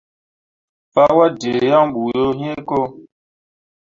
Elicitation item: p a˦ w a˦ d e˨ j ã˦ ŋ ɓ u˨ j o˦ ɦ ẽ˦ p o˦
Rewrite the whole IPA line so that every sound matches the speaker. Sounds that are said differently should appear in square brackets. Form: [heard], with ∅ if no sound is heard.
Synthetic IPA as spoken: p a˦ w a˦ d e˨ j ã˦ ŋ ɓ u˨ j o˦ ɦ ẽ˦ [k] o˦